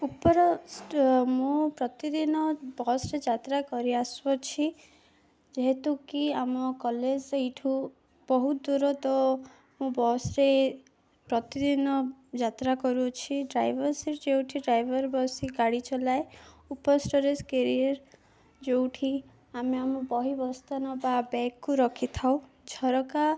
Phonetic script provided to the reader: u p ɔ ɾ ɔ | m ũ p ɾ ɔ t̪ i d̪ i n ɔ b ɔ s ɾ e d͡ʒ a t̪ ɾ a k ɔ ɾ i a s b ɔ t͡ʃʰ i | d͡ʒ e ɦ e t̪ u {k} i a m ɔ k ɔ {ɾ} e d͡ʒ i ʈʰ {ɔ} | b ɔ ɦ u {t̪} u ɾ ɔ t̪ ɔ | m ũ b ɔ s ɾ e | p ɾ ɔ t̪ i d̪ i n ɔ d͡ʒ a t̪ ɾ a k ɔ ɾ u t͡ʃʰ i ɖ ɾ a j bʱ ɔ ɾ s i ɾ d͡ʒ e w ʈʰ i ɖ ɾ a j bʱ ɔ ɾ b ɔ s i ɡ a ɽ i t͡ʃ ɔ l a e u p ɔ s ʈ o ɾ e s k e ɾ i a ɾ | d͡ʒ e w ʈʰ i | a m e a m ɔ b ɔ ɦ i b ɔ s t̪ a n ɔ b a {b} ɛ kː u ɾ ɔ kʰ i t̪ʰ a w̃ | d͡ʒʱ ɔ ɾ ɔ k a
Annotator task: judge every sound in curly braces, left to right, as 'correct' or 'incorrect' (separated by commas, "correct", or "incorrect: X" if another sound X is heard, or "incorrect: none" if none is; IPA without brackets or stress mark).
correct, incorrect: l, incorrect: u, incorrect: d̪, correct